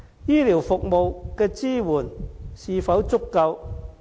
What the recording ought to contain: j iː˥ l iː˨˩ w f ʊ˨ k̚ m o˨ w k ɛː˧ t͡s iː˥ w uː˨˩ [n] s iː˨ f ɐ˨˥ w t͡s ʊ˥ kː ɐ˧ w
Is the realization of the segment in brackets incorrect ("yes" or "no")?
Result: no